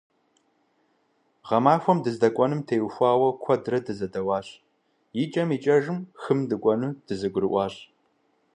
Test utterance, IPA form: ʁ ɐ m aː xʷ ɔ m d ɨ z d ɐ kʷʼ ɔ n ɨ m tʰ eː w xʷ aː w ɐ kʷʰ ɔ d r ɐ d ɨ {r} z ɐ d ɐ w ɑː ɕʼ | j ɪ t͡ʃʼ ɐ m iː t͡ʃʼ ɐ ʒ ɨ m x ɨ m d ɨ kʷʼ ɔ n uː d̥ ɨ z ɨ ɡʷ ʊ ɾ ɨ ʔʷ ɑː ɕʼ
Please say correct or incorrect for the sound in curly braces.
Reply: incorrect